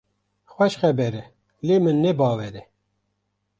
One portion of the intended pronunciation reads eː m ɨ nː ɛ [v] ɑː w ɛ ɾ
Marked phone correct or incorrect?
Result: incorrect